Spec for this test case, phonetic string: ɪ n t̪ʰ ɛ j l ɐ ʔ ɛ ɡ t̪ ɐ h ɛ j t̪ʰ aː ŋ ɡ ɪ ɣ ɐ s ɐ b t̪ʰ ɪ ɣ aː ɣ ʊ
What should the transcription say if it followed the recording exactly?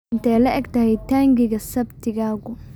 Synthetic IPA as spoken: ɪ n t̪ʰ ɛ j l ɐ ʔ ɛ ɡ t̪ ɐ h ɛ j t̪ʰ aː ŋ ɡ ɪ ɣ ɐ s ɐ b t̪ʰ ɪ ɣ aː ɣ ʊ